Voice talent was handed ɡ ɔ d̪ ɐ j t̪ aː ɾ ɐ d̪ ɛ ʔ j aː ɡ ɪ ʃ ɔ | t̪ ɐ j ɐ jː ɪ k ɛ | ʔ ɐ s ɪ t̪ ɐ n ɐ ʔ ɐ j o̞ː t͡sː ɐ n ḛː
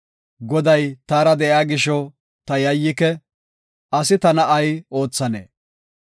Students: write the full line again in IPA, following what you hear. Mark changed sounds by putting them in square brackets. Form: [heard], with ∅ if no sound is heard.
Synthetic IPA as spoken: ɡ ɔ d̪ ɐ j t̪ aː ɾ ɐ d̪ ɛ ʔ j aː ɡ ɪ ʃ ɔ | t̪ ɐ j ɐ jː ɪ k ɛ | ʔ ɐ s ɪ t̪ ɐ n ɐ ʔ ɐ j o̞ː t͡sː ɐ n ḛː